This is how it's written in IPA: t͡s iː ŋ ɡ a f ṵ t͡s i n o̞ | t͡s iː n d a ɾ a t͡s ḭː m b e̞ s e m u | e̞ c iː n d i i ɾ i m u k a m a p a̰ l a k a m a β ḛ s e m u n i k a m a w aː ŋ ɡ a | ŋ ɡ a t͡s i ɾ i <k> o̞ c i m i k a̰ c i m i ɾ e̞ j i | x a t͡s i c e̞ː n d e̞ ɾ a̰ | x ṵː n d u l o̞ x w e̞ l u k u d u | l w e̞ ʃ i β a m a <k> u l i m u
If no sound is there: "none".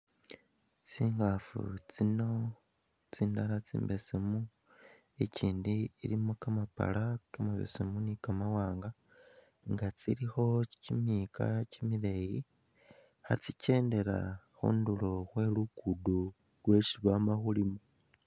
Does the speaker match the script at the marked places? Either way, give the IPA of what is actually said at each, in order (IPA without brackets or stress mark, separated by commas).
x, x